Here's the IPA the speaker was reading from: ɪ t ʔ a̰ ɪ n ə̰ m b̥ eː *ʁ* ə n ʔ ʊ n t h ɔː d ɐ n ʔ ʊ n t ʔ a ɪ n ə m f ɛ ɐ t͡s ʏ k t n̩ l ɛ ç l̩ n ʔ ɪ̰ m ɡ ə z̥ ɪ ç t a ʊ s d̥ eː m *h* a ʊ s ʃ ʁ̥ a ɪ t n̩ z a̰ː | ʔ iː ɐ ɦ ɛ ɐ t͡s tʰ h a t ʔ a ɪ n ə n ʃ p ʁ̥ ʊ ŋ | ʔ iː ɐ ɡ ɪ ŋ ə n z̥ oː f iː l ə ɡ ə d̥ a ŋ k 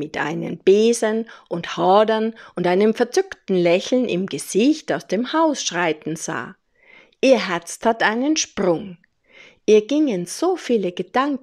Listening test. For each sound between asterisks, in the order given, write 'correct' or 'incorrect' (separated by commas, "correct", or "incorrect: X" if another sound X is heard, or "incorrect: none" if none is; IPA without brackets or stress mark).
incorrect: z, correct